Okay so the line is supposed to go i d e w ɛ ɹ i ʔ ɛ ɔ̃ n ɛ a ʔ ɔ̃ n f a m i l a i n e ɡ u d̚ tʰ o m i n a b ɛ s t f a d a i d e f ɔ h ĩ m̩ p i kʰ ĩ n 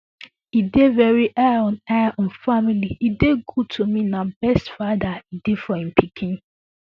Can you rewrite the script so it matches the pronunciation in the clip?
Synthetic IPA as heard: i d e v ɛ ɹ i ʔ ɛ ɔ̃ n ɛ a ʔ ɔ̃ n f a m i l i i d e ɡ u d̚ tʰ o m i n a b ɛ s t f a d a i d e f ɔ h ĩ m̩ p i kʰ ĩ n